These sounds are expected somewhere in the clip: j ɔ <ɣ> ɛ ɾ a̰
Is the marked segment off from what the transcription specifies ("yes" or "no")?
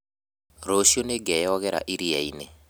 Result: no